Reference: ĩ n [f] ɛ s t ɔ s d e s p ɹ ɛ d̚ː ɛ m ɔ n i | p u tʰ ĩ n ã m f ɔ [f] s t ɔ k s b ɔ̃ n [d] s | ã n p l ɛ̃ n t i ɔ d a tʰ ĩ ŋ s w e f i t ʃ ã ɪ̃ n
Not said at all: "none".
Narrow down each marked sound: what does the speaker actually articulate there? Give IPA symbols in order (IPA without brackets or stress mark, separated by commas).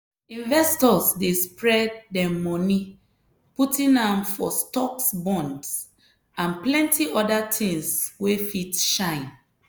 v, none, d